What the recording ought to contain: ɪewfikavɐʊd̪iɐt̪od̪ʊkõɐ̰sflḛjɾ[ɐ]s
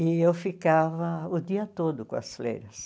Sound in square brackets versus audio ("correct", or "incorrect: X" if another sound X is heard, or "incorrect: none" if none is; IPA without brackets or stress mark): correct